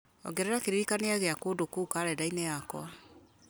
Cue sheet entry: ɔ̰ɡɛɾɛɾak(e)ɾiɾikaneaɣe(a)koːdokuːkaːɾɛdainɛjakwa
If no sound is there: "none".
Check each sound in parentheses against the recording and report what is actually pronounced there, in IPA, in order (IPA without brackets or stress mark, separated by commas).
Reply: e, a